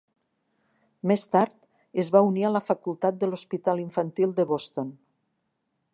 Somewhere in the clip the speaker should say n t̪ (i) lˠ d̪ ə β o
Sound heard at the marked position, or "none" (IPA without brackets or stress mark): i